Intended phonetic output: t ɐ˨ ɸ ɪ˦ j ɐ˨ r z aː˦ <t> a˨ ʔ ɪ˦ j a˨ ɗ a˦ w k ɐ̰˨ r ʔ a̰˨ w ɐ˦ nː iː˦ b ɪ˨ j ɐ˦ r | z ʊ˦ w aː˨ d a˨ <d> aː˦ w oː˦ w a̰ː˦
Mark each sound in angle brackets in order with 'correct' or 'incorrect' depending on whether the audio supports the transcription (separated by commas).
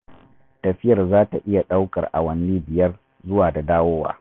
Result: correct, correct